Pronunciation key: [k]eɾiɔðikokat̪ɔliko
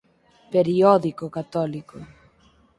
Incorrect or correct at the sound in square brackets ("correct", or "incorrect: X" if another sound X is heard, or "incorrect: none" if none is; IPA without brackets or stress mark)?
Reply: incorrect: p